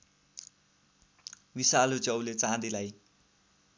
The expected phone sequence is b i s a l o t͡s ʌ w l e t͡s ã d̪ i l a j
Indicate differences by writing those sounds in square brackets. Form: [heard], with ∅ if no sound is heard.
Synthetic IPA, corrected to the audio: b i s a l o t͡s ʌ w l e t͡s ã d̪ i l a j